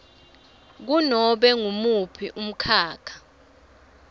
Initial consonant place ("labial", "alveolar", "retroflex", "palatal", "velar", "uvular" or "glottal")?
velar